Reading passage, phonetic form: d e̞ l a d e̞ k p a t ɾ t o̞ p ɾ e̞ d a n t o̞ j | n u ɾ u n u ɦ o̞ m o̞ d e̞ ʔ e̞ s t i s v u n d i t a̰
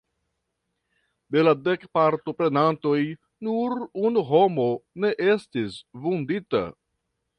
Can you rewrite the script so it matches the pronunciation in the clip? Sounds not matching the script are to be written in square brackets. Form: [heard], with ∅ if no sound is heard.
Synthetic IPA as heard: d e̞ l a d e̞ k p a [∅] ɾ t o̞ p ɾ e̞ [n] a n t o̞ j | n u ɾ u n u ɦ o̞ m o̞ [n] e̞ ʔ e̞ s t i s v u n d i t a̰

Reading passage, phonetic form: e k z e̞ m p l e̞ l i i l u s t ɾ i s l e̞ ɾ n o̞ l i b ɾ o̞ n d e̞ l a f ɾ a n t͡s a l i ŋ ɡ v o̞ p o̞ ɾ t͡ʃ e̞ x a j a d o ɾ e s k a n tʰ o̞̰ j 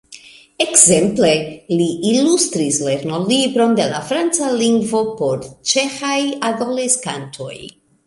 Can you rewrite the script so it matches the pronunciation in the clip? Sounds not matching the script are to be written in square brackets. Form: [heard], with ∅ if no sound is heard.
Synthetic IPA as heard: e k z e̞ m p l e̞ l i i l u s t ɾ i s l e̞ ɾ n o̞ l i b ɾ o̞ n d e̞ l a f ɾ a n t͡s a l i ŋ ɡ v o̞ p o̞ ɾ t͡ʃ e̞ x a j a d o [l] e s k a n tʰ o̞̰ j

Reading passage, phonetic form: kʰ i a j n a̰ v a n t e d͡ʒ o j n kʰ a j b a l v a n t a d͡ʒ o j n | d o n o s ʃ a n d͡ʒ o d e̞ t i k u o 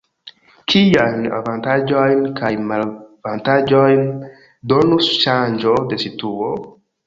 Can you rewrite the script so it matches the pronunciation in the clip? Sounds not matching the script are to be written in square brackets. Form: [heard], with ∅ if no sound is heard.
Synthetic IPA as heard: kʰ i a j n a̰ v a n t [a] d͡ʒ o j n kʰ a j [m] a l v a n t a d͡ʒ o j n | d o n [u] s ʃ a n d͡ʒ o d e̞ [s] i [t] u o

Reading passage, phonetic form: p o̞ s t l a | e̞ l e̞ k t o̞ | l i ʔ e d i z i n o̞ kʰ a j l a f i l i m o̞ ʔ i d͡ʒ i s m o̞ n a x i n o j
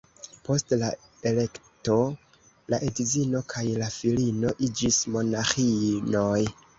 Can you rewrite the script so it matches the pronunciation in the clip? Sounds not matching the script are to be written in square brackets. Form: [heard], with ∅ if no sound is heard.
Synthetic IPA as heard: p o̞ s t l a | e̞ l e̞ k t o̞ | l [a] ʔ e d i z i n o̞ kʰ a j l a f i l i [n] o̞ ʔ i d͡ʒ i s m o̞ n a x i n o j

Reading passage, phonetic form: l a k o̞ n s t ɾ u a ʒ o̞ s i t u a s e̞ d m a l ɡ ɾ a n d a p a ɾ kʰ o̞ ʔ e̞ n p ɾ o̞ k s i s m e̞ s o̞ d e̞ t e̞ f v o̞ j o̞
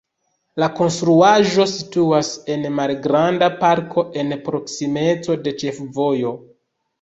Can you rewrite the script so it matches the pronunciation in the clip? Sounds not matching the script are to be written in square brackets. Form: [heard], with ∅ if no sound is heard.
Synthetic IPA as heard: l a k o̞ n s t ɾ u a ʒ o̞ s i t u a s e̞ [n] m a l ɡ ɾ a n d a p a ɾ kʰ o̞ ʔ e̞ n p ɾ o̞ k s i [∅] m e̞ [t͡s] o̞ d e̞ [t͡ʃ] e̞ f v o̞ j o̞

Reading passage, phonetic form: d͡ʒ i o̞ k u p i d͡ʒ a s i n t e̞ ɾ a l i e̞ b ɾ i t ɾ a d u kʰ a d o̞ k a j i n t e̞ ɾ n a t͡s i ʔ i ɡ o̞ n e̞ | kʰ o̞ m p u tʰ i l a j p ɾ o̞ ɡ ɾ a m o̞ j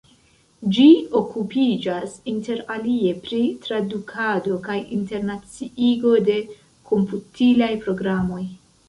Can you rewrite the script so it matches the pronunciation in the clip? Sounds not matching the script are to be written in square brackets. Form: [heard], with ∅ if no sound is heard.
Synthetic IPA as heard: d͡ʒ i o̞ k u p i d͡ʒ a s i n t e̞ ɾ a l i e̞ [p] ɾ i t ɾ a d u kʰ a d o̞ k a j i n t e̞ ɾ n a t͡s i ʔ i ɡ o̞ [d] e̞ | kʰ o̞ m p u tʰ i l a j p ɾ o̞ ɡ ɾ a m o̞ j

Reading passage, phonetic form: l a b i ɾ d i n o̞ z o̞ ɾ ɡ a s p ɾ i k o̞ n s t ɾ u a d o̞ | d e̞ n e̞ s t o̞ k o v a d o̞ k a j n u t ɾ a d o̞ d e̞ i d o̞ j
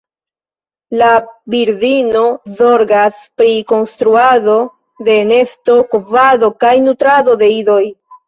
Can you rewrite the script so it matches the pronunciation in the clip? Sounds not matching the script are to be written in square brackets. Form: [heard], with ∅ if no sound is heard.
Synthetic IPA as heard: l a b i ɾ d i n o̞ z o̞ ɾ ɡ a s p ɾ i k o̞ n s t ɾ u a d o̞ | d e̞ n e̞ s t o̞ k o v a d o̞ k a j n u t ɾ a d o̞ d e̞ i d o̞ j

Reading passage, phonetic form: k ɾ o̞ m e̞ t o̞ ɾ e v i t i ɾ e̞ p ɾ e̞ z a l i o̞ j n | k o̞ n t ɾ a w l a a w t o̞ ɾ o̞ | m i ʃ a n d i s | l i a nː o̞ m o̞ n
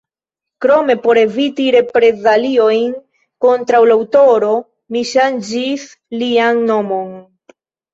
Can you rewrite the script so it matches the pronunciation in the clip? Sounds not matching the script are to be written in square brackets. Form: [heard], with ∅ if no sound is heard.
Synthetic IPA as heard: k ɾ o̞ m e̞ [p] o̞ ɾ e v i t i ɾ e̞ p ɾ e̞ z a l i o̞ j n | k o̞ n t ɾ a w l a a w t o̞ ɾ o̞ | m i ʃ a n [d͡ʒ] i s | l i a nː o̞ m o̞ n

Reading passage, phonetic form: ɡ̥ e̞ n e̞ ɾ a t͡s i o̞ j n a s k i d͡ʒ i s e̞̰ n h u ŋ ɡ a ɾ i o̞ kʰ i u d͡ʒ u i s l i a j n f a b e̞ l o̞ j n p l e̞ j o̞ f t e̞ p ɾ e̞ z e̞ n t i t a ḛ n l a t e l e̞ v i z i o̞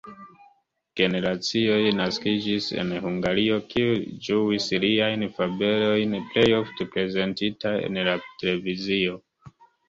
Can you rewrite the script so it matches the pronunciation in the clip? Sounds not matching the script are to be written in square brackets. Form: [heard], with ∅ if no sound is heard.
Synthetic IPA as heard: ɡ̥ e̞ n e̞ ɾ a t͡s i o̞ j n a s k i d͡ʒ i s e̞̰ n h u ŋ ɡ a ɾ i o̞ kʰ i u d͡ʒ u i s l i a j n f a b e̞ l o̞ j n p l e̞ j o̞ f t e̞ p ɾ e̞ z e̞ n t i t a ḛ n l a t e l e̞ v i z i o̞

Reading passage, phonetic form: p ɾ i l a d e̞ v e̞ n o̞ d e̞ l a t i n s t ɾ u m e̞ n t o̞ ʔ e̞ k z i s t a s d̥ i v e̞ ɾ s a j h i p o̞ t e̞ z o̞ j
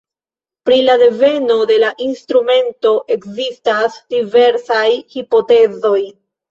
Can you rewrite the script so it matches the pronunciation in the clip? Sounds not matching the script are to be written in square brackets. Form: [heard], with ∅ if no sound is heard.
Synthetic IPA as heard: p ɾ i l a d e̞ v e̞ n o̞ d e̞ l a [ʔ] i n s t ɾ u m e̞ n t o̞ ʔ e̞ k z i s t a s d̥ i v e̞ ɾ s a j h i p o̞ t e̞ z o̞ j

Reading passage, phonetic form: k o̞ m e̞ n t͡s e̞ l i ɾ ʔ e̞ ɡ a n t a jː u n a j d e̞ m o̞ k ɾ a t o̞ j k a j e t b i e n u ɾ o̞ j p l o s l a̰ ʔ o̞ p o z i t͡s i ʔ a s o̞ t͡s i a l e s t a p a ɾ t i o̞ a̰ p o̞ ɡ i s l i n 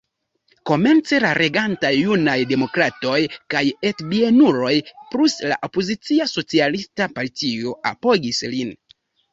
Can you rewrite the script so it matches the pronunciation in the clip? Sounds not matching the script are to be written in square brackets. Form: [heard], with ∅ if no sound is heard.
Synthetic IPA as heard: k o̞ m e̞ n t͡s e̞ l [a] ɾ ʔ e̞ ɡ a n t a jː u n a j d e̞ m o̞ k ɾ a t o̞ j k a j e t b i e n u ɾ o̞ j p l [u] s l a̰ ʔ o̞ p o z i t͡s i [∅] a s o̞ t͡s i a l [i] s t a p a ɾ t i o̞ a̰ p o̞ ɡ i s l i n

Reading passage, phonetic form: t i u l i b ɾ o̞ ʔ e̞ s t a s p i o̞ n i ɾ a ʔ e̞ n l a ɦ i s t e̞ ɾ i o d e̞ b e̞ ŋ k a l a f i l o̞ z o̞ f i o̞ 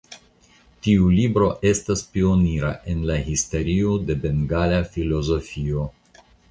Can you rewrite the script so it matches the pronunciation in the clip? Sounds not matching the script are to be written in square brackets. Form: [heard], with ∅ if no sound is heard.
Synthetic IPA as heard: t i u l i b ɾ o̞ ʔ e̞ s t a s p i o̞ n i ɾ a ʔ e̞ n l a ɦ i s t e̞ ɾ i o d e̞ b e̞ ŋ [ɡ] a l a f i l o̞ z o̞ f i o̞

